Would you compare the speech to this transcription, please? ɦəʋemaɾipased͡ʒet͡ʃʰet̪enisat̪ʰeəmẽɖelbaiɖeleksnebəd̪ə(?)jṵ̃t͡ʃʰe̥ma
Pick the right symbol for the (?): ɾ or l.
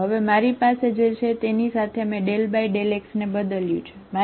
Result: l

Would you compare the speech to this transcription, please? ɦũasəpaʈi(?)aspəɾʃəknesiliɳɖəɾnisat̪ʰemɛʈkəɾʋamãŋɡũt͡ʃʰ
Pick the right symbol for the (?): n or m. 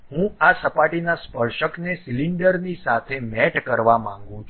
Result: n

